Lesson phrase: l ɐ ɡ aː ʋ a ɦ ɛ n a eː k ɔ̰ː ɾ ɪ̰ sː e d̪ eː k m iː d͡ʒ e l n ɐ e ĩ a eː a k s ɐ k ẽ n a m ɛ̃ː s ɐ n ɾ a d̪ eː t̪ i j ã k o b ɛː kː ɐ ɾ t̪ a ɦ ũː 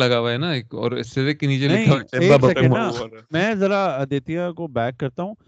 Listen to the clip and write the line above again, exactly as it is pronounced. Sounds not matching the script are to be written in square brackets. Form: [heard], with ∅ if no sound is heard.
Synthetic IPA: l ɐ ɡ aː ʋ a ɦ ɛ n a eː k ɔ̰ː ɾ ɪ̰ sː e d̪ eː k [n] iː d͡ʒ e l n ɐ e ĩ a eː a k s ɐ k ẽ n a m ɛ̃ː [z] ɐ [∅] ɾ a d̪ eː t̪ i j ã k o b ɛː kː ɐ ɾ t̪ a ɦ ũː